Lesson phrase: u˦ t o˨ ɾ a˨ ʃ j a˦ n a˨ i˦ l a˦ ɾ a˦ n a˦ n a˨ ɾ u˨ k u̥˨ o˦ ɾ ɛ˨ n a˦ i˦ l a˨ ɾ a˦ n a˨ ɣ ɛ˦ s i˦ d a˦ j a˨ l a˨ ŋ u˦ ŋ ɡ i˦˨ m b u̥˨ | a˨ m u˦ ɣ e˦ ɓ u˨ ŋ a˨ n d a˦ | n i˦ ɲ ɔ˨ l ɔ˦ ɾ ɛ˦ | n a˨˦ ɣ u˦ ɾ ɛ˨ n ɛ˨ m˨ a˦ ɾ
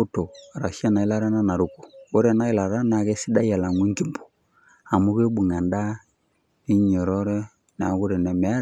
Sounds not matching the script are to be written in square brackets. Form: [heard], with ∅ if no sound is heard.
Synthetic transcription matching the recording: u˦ t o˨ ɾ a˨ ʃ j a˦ n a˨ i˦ l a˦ ɾ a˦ n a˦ n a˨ ɾ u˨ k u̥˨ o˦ ɾ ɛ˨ n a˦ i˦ l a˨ ɾ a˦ n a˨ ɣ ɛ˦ s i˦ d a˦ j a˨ l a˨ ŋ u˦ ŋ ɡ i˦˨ m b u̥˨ | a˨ m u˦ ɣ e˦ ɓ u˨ ŋ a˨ n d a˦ | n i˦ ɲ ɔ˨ [ɾ] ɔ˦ ɾ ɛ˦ | n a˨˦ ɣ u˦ ɾ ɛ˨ n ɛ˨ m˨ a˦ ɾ

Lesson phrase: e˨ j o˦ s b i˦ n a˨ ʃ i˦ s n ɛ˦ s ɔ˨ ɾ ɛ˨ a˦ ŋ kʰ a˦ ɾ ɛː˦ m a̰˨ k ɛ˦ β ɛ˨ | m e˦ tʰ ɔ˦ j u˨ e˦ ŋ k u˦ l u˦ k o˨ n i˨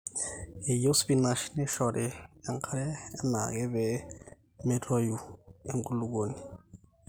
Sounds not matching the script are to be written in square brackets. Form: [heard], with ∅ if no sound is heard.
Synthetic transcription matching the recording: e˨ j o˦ s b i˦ n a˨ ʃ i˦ [∅] n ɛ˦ [ʃ] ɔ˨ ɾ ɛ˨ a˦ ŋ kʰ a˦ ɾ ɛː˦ [n] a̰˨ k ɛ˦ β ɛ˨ | m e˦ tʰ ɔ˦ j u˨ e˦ ŋ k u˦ l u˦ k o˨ n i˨

